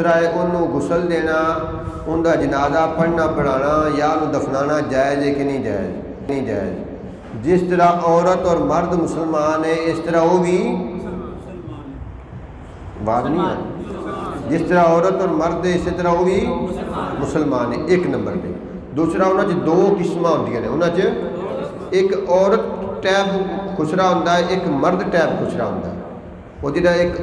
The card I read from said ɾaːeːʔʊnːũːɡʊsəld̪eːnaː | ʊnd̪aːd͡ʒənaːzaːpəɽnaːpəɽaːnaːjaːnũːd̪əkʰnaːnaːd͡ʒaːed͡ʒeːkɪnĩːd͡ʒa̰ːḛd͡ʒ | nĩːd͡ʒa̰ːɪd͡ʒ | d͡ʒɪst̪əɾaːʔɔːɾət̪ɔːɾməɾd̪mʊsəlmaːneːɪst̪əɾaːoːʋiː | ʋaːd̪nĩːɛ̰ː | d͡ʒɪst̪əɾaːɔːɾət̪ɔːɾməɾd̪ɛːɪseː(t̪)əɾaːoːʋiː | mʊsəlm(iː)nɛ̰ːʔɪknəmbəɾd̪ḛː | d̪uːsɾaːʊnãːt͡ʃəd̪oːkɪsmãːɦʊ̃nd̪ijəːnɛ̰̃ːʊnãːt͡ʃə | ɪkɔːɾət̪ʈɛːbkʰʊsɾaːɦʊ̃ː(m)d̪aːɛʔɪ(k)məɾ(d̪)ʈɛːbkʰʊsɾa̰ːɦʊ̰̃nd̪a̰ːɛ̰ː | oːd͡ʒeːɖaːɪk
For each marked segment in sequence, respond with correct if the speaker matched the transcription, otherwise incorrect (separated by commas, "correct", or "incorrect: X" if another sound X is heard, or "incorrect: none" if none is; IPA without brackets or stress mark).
correct, incorrect: aː, incorrect: n, correct, correct